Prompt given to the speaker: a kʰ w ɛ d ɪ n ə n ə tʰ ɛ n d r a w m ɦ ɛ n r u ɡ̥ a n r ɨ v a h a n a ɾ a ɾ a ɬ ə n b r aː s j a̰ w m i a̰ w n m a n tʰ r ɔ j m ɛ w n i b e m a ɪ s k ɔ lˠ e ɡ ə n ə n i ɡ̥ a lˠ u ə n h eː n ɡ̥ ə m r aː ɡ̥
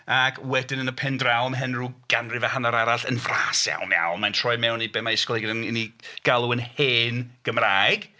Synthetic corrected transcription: a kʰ w ɛ d ɪ n ə n ə pʰ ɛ n d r a w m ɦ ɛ n r u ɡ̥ a n r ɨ v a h a n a ɾ a ɾ a ɬ ə n v r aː s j a̰ w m j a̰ w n m a n tʰ r ɔ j m ɛ w n i b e m a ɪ s k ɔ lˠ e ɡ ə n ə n i ɡ̥ a lˠ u ə n h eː n ɡ̥ ə m r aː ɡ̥